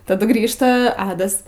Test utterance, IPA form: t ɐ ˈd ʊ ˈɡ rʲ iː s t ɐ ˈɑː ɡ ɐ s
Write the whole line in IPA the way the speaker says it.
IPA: t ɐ ˈd ʊ ˈɡ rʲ iː ʃ t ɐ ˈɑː d ɐ s

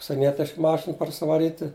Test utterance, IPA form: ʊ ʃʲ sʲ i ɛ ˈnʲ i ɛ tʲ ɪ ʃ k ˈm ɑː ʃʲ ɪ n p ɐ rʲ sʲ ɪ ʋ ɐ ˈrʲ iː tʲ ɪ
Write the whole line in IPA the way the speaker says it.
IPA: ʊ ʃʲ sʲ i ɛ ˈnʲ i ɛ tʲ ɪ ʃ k ˈm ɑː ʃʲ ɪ n p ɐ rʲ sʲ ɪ ʋ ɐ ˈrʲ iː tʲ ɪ

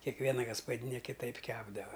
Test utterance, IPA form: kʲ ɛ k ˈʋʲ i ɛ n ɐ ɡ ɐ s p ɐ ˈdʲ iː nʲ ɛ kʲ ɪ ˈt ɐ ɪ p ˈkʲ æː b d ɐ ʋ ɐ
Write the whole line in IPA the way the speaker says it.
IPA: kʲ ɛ k ˈʋʲ i ɛ n ɐ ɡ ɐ s p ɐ ˈdʲ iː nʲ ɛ kʲ ɪ ˈt ɐ ɪ p ˈkʲ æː b d ɐ ʋ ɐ

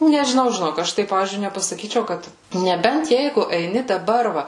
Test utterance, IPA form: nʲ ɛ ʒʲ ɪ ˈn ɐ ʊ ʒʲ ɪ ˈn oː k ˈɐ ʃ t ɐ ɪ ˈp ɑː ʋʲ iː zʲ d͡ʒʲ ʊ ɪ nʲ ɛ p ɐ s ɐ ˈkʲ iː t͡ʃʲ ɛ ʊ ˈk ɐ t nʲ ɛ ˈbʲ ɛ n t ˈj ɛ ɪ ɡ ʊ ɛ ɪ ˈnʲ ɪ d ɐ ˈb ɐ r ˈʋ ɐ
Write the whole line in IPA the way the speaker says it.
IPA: nʲ ɛ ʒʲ ɪ ˈn ɐ ʊ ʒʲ ɪ ˈn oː k ˈɐ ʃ t ɐ ɪ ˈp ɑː ʋʲ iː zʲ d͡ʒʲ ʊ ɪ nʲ ɛ p ɐ s ɐ ˈkʲ iː t͡ʃʲ ɛ ʊ ˈk ɐ t nʲ ɛ ˈbʲ ɛ n t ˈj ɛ ɪ ɡ ʊ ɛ ɪ ˈnʲ ɪ d ɐ ˈb ɐ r ˈʋ ɐ

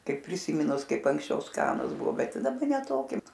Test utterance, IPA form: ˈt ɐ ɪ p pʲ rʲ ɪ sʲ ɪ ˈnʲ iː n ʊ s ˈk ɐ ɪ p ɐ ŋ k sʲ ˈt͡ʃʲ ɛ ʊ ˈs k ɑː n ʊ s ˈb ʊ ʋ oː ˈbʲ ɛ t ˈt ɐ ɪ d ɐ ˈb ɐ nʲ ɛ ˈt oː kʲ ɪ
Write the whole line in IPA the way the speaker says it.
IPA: ˈk ɐ ɪ p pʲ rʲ ɪ sʲ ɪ ˈmʲ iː n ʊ s ˈk ɐ ɪ p ɐ ŋ k sʲ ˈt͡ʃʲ ɛ ʊ ˈs k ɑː n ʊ s ˈb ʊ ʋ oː ˈbʲ ɛ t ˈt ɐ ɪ d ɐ ˈb ɐ nʲ ɛ ˈt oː kʲ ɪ

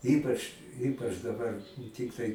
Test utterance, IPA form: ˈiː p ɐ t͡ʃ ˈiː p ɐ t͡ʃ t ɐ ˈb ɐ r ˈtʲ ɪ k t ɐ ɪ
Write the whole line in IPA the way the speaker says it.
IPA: ˈiː p ɐ t͡ʃ ˈiː p ɐ t͡ʃ d ɐ ˈb ɐ r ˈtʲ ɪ k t ɐ ɪ

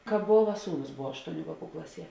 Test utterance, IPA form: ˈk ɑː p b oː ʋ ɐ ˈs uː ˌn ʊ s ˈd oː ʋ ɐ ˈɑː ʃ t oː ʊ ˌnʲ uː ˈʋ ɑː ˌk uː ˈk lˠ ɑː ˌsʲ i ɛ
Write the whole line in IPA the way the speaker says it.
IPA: ˈk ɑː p b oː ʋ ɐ ˈs uː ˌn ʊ s ˈb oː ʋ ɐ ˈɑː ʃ t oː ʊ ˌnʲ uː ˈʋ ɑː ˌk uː ˈk lˠ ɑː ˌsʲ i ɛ

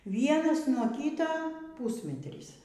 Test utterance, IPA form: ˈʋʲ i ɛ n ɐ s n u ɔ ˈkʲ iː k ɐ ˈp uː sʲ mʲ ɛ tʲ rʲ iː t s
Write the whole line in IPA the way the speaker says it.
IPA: ˈʋʲ i ɛ n ɐ s n u ɔ ˈkʲ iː t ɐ ˈp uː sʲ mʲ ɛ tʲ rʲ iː s

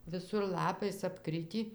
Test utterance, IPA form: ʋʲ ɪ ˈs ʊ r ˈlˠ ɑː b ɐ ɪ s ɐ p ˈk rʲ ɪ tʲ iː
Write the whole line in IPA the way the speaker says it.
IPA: ʋʲ ɪ ˈs ʊ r ˈlˠ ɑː p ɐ ɪ s ɐ p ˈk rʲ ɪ tʲ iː

